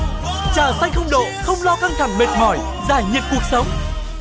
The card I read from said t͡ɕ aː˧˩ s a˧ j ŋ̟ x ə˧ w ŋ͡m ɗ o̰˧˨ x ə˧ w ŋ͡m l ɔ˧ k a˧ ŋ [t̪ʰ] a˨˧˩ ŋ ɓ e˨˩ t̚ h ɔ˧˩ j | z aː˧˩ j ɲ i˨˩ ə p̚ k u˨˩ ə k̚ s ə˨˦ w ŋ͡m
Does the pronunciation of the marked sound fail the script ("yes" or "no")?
no